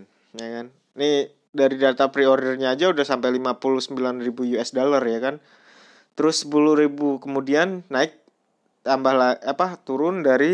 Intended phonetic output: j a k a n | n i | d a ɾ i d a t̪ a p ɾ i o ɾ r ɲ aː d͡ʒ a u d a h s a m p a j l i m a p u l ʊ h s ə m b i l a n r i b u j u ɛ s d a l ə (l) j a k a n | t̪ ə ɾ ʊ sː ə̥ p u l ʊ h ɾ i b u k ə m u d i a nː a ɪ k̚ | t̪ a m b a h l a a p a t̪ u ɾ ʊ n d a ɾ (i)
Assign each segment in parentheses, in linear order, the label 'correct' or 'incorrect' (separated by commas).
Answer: incorrect, correct